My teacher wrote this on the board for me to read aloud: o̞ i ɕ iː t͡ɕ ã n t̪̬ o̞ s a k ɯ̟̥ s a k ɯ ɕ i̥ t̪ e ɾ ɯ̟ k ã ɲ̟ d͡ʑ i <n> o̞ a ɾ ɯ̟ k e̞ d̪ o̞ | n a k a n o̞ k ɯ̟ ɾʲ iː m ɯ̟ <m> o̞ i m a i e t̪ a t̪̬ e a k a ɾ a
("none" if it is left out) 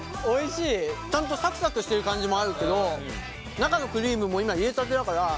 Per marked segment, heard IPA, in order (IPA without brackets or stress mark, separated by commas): m, m